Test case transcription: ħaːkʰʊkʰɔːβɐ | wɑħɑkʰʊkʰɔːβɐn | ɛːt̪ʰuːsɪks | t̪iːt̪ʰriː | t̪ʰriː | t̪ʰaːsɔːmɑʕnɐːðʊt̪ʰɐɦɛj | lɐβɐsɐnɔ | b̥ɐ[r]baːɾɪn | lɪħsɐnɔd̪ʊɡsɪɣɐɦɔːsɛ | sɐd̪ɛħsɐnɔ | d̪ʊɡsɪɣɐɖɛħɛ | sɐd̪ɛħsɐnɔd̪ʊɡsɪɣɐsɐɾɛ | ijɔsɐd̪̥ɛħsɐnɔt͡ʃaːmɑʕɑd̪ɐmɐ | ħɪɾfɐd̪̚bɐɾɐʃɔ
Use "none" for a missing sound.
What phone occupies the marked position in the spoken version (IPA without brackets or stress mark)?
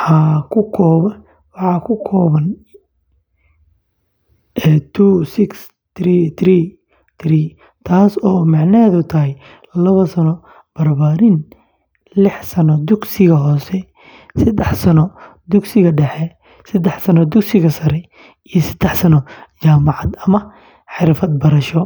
r